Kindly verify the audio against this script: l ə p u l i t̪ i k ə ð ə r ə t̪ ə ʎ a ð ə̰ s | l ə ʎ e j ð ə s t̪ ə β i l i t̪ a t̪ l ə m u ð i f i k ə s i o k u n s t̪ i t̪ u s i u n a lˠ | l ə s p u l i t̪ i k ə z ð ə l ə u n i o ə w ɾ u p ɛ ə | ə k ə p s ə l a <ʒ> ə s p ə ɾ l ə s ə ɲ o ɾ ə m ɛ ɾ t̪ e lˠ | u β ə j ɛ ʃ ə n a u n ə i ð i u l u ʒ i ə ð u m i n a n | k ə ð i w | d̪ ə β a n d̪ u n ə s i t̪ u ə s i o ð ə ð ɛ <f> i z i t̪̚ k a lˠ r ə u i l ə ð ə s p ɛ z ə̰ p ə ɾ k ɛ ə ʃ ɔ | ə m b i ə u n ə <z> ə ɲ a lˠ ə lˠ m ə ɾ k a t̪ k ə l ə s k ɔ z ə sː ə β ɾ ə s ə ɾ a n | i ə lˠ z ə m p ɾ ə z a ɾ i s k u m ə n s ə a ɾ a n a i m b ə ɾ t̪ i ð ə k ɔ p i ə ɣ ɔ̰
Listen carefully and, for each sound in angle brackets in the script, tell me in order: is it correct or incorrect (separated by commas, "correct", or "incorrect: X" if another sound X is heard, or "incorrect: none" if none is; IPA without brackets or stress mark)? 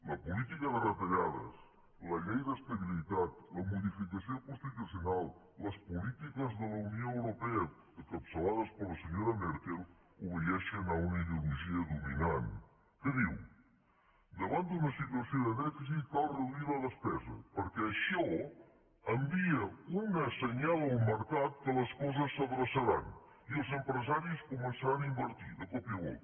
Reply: incorrect: ð, correct, incorrect: s